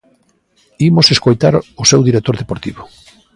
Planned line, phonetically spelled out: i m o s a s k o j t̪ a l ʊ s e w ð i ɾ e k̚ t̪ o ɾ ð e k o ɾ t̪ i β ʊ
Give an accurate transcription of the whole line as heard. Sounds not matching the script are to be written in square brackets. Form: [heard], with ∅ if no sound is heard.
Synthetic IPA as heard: i m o s [e] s k o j t̪ a [ɾ] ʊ s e w ð i ɾ e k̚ t̪ o ɾ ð e [p] o ɾ t̪ i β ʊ